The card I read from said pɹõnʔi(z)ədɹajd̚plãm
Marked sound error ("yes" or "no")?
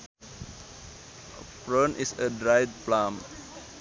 yes